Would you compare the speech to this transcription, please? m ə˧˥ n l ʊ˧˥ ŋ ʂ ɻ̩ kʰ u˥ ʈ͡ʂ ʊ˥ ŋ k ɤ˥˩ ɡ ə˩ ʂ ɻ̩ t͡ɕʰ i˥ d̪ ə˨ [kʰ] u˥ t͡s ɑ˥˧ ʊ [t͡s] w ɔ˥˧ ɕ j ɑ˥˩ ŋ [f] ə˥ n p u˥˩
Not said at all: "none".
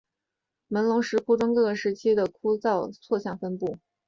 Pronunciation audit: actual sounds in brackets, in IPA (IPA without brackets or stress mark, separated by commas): kʰ, t͡sʰ, f